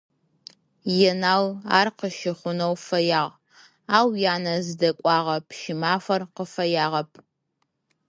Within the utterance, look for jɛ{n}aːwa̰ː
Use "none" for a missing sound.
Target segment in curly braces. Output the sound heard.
n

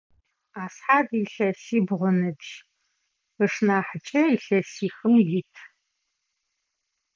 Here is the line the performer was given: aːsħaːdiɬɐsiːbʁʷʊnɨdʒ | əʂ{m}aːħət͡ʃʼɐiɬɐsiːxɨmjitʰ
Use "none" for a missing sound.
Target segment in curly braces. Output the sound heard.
n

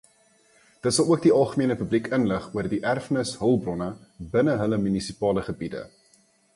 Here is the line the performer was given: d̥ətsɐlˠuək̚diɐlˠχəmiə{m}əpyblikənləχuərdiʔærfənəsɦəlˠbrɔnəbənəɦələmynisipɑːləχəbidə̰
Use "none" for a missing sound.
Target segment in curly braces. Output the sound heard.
n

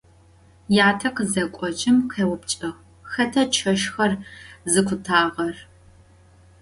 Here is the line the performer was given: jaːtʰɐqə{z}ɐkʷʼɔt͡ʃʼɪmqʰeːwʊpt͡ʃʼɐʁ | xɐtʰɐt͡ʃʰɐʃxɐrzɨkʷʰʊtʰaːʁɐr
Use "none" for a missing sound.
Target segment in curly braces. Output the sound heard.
z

